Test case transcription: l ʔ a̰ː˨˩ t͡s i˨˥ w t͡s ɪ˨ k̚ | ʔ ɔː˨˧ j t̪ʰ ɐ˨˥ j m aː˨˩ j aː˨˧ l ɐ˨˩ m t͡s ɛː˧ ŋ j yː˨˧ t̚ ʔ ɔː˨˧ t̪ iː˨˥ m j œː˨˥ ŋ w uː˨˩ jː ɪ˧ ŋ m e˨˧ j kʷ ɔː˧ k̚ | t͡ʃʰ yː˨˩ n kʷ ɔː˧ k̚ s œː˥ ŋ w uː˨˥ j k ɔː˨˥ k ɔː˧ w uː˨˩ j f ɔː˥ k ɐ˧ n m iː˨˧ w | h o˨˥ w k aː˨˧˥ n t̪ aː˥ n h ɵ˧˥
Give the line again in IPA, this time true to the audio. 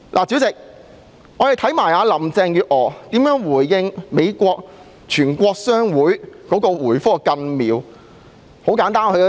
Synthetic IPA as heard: l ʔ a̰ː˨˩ t͡s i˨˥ w t͡s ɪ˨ k̚ | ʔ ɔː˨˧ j t̪ʰ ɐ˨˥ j m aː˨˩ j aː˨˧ l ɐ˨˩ m t͡s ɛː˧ ŋ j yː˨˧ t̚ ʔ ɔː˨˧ t̪ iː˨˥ m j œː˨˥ ŋ w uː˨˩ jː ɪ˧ ŋ m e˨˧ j kʷ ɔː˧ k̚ | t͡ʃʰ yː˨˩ n kʷ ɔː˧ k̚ s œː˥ ŋ w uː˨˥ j k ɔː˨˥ k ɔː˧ w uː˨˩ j f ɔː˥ k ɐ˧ n m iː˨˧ w | h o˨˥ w k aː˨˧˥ n t̪ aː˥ n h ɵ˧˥